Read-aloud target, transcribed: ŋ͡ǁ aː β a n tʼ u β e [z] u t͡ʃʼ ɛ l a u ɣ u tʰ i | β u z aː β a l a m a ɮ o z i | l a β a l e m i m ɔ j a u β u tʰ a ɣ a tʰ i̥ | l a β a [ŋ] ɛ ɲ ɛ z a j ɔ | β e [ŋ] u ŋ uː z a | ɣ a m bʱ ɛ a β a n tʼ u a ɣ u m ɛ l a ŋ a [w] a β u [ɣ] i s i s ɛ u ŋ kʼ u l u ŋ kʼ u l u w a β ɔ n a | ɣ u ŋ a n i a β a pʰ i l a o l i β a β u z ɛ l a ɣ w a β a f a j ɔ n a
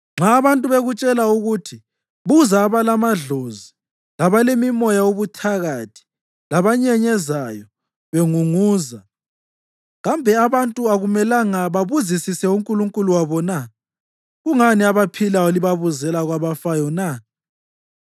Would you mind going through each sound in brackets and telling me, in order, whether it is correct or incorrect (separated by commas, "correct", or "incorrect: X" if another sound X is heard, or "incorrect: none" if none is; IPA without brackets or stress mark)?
incorrect: ɣ, incorrect: ɲ, correct, incorrect: β, incorrect: z